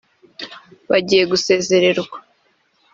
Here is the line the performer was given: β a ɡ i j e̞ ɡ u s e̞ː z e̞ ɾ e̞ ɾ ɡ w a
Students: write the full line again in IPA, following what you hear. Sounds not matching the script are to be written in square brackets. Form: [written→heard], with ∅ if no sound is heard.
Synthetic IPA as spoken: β a [ɡ→ɟ] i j e̞ ɡ u s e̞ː z e̞ ɾ e̞ ɾ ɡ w a